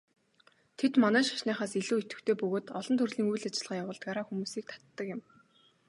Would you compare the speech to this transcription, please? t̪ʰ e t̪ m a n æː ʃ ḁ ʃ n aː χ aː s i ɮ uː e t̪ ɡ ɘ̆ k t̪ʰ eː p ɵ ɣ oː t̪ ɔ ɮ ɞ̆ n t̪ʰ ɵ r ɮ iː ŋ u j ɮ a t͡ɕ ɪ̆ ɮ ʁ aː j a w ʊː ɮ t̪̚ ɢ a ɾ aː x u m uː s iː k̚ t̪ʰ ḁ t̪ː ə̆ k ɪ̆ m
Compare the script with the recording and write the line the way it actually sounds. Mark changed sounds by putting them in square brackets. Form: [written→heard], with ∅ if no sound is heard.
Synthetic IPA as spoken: t̪ʰ e t̪ m a n æː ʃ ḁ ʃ n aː χ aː s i ɮ uː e t̪ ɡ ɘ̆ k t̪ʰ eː p ɵ ɣ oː t̪ ɔ ɮ ɞ̆ n t̪ʰ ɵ r ɮ iː ŋ u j ɮ a t͡ɕ ɪ̆ ɮ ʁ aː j a w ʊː ɮ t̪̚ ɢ a ɾ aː x u m uː s iː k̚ t̪ʰ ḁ t̪ː ə̆ k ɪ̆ m

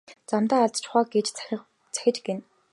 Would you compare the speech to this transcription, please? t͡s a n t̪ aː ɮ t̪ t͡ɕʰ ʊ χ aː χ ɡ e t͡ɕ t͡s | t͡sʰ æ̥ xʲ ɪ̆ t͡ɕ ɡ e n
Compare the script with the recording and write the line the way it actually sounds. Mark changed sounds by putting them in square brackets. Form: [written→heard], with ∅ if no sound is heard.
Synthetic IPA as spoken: t͡s a [n→m] t̪ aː ɮ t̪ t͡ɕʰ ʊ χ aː [χ→∅] ɡ e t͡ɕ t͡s | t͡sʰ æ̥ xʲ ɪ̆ t͡ɕ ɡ e n

